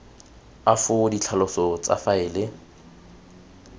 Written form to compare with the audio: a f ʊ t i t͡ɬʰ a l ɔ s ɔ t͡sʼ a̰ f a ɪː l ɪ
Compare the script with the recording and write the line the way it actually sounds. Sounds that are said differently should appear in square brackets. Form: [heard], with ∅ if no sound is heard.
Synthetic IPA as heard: a f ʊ [d] i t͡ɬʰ a l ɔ s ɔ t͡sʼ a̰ f a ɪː l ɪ